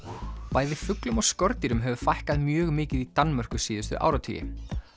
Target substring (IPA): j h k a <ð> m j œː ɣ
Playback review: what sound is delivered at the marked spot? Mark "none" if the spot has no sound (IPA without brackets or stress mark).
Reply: ð